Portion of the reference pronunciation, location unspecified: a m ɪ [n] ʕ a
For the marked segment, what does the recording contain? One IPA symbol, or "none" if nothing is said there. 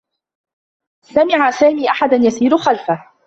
none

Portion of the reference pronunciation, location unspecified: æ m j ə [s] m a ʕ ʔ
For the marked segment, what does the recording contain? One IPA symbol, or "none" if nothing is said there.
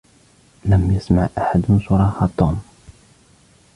s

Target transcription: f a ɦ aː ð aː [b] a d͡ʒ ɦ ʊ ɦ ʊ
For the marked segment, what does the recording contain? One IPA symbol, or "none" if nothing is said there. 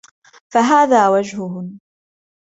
w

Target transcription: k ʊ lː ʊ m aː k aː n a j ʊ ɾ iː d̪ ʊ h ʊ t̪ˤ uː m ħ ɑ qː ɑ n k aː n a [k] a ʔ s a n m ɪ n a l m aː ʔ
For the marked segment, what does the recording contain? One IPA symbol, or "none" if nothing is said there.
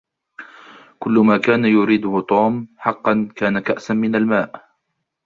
k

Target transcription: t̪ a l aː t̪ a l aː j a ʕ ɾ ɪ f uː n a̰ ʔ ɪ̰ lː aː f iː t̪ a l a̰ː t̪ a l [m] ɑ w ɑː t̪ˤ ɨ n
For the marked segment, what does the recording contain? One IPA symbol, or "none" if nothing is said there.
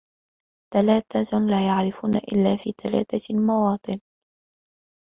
m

